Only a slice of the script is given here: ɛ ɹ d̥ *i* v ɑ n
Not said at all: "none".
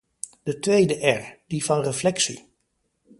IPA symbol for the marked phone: i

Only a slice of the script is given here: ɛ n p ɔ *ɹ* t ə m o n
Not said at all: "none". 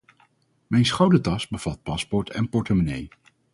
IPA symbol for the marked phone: ɹ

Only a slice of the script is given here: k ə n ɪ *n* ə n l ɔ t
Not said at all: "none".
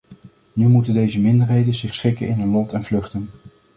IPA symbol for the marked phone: n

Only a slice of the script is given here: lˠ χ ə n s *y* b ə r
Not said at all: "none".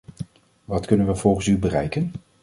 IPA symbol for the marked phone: y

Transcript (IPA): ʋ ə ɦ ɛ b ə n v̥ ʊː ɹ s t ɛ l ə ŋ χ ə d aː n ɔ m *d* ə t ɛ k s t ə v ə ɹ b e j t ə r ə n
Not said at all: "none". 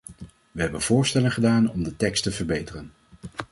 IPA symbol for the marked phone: d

